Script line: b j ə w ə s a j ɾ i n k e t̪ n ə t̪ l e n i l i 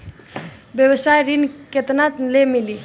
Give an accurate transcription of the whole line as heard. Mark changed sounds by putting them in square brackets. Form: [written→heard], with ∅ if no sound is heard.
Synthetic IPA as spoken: b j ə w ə s a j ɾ i n k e t̪ n [ə→a] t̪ l e [n→m] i l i